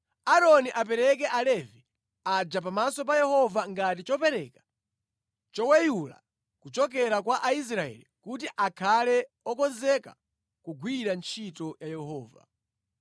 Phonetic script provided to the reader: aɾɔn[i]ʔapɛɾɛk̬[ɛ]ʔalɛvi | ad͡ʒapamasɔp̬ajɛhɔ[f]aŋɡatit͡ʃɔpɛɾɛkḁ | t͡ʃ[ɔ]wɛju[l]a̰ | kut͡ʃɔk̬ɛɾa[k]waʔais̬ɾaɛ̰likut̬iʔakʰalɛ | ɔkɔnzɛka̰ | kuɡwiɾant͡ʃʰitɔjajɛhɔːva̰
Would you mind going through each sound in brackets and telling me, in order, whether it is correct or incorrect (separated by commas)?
correct, correct, incorrect, correct, correct, correct